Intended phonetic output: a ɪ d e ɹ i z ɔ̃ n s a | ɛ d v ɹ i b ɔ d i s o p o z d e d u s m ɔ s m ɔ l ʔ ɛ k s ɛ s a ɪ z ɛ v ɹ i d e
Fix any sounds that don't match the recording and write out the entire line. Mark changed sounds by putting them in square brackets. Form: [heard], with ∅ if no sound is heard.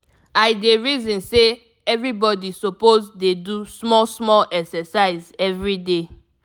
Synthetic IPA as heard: a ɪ d e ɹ i z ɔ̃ n s [e] | ɛ [∅] v ɹ i b ɔ d i s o p o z d e d u s m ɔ s m ɔ l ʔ ɛ k s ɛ s a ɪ z ɛ v ɹ i d e